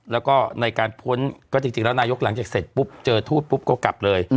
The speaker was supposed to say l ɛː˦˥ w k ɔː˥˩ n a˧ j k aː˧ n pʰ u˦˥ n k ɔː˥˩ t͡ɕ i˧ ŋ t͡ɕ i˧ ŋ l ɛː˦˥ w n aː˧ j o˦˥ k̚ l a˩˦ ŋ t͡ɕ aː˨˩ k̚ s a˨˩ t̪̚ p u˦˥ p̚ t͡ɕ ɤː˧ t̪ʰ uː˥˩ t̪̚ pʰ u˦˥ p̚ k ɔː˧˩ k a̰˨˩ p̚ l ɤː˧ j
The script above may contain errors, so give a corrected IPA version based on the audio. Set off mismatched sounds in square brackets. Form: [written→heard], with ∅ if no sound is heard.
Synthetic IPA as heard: l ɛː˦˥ w k ɔː˥˩ n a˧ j k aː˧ n pʰ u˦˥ n k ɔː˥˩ t͡ɕ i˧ ŋ t͡ɕ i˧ ŋ l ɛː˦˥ w n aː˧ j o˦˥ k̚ l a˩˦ ŋ t͡ɕ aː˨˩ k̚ s [a˨˩→e˨˩] t̪̚ p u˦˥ p̚ t͡ɕ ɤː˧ t̪ʰ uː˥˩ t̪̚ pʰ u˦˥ p̚ k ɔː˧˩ k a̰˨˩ p̚ l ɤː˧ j